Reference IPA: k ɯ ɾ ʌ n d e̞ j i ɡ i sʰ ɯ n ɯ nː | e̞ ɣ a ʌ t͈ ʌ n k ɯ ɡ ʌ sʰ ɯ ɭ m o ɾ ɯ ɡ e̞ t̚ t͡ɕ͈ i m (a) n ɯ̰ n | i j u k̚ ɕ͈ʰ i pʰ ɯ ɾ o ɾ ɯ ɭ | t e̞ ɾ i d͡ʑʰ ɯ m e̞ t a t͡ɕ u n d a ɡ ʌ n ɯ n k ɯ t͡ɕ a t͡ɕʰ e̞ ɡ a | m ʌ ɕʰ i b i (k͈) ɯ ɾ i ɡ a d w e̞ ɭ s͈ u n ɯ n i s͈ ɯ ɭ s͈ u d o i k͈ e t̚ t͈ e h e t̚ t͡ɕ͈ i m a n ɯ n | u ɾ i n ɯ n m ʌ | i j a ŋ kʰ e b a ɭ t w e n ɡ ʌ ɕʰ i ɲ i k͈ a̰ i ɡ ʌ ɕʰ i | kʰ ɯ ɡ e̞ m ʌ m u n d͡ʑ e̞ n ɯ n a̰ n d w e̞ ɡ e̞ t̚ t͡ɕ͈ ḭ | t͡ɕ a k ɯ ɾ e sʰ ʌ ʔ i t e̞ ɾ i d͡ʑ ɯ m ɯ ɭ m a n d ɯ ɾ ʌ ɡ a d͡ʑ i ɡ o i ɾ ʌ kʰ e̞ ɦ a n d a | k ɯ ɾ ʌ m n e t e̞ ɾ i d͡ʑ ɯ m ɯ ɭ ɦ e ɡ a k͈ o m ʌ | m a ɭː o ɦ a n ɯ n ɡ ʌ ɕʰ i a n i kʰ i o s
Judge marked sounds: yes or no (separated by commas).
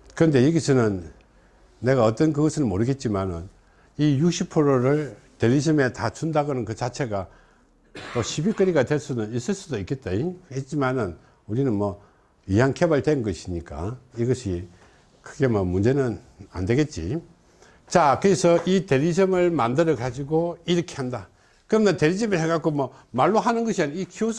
yes, yes